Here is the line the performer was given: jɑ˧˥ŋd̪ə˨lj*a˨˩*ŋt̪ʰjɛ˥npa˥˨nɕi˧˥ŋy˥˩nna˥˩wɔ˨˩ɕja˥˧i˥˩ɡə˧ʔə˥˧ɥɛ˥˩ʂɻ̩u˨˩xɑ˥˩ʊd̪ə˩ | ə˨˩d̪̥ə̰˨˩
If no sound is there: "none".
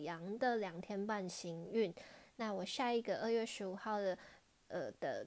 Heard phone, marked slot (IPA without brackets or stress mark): ɑ˨˩